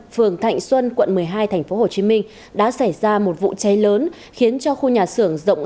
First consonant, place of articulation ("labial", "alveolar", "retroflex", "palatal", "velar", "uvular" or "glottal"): labial